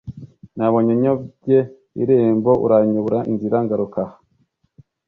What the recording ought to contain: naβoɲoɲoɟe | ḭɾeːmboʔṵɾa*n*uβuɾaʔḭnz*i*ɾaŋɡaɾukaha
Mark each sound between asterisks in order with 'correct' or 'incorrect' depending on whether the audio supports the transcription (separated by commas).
incorrect, correct